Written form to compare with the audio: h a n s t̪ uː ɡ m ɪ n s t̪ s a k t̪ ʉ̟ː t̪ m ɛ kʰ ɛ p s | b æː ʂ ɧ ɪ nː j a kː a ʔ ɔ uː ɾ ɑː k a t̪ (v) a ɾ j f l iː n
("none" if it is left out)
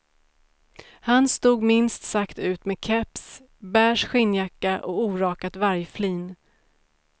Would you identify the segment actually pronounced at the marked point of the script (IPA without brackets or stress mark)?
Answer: v